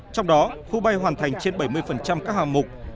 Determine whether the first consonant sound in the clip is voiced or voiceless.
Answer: voiceless